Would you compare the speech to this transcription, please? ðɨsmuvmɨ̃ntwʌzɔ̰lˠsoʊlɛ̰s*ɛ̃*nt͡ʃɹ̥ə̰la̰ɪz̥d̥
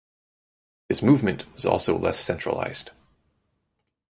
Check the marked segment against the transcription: correct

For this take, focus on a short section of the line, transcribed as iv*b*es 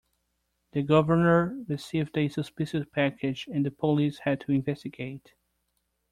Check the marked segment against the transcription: incorrect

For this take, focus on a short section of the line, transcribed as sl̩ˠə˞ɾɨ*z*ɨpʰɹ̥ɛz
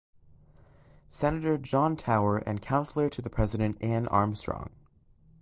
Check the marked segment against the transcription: incorrect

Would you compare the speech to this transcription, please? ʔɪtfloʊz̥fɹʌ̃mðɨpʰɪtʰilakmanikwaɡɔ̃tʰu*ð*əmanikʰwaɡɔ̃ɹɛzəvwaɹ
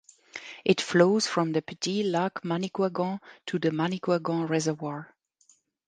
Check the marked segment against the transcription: correct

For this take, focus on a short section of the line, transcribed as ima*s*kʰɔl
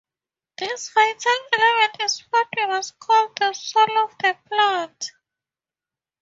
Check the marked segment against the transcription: correct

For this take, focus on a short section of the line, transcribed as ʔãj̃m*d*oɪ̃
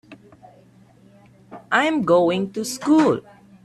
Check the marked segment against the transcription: incorrect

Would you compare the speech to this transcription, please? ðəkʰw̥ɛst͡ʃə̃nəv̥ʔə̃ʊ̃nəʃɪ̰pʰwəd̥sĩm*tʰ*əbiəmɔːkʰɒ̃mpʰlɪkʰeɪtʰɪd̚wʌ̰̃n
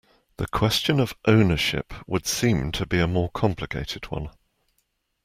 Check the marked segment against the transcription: correct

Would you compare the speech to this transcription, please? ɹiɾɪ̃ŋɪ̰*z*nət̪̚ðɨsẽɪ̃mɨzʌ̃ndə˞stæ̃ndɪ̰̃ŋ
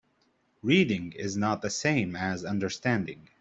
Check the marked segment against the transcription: correct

